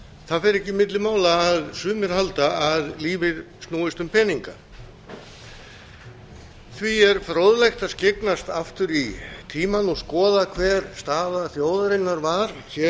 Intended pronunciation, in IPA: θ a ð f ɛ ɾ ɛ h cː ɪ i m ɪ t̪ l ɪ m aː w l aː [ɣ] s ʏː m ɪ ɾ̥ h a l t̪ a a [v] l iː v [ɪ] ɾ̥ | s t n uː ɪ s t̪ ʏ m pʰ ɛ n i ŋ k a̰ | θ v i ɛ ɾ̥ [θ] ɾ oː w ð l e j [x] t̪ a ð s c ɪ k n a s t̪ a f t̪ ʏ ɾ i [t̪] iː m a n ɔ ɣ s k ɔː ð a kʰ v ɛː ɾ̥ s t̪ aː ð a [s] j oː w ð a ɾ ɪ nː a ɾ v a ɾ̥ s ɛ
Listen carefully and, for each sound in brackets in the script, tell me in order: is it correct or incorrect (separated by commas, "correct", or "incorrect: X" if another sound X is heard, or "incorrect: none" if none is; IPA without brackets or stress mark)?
incorrect: ð, incorrect: ð, correct, incorrect: f, correct, incorrect: t̪ʰ, incorrect: θ